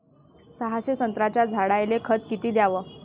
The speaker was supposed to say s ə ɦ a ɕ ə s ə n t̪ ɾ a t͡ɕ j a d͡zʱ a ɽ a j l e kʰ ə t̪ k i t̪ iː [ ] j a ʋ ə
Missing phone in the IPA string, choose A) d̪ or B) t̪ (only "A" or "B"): A